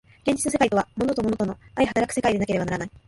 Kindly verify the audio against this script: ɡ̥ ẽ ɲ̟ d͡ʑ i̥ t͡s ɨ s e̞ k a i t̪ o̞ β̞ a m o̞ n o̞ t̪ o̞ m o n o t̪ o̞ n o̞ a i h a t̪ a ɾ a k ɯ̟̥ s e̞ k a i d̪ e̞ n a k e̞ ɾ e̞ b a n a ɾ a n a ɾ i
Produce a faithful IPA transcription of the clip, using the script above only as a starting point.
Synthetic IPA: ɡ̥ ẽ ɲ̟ d͡ʑ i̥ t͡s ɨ s e̞ k a i t̪ o̞ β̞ a m o̞ n o̞ t̪ o̞ m o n o t̪ o̞ n o̞ a i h a t̪ a ɾ a k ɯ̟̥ s e̞ k a i d̪ e̞ n a k e̞ ɾ e̞ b a n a ɾ a n a i